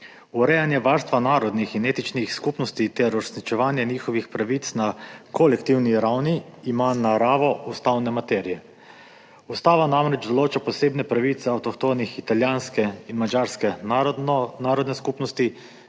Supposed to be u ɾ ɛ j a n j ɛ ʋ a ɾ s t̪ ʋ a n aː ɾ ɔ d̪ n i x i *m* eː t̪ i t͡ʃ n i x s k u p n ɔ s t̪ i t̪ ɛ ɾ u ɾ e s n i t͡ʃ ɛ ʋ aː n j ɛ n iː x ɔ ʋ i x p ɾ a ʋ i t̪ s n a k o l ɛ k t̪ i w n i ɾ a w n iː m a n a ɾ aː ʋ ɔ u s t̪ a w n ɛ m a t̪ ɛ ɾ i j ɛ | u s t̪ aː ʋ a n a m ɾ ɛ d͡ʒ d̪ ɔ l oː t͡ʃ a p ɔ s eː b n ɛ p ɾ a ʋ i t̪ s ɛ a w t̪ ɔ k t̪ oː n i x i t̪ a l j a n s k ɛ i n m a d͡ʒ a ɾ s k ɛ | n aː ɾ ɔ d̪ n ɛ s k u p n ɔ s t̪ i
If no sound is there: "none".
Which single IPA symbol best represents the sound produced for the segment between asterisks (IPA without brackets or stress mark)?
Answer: n